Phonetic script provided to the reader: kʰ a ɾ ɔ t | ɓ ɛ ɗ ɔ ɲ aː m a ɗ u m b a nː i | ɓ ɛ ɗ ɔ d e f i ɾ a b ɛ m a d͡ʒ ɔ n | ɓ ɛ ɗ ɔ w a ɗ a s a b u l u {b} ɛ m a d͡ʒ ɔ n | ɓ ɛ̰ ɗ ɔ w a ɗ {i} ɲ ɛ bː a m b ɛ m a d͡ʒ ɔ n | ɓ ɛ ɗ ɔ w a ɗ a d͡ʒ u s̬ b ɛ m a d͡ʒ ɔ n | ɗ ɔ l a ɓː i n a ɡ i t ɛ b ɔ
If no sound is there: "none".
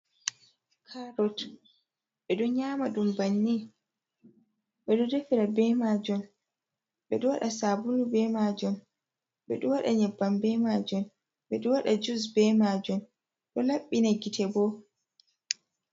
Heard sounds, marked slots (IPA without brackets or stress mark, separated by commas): b, a